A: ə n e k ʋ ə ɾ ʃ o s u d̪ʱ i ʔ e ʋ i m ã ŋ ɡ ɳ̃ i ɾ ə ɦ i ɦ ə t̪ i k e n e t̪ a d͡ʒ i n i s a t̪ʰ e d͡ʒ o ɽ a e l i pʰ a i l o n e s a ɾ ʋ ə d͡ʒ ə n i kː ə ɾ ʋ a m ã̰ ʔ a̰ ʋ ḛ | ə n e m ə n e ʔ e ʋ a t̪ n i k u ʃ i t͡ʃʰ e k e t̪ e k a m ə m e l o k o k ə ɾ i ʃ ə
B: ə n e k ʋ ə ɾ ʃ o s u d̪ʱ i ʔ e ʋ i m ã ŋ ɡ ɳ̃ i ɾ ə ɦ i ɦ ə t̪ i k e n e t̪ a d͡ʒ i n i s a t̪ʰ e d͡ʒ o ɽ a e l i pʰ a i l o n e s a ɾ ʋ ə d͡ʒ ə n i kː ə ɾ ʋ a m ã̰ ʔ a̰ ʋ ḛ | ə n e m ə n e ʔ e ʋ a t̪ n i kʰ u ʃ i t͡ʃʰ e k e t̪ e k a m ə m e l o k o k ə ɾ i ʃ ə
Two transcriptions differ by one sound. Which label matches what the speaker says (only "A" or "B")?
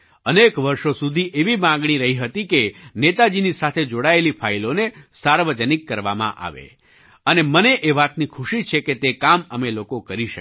B